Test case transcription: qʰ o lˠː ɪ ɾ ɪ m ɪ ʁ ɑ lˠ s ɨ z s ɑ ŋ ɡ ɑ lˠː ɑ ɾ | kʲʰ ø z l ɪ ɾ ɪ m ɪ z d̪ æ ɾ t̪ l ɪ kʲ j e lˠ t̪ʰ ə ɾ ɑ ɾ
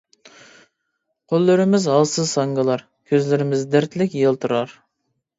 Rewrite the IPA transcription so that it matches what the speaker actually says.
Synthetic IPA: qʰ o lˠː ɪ ɾ ɪ m ɪ z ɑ lˠ s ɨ z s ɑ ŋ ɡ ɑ lˠ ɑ ɾ | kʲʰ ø z l ɪ ɾ ɪ m ɪ z d̪ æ ɾ t̪ l ɪ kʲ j e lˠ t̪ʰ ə ɾ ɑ ɾ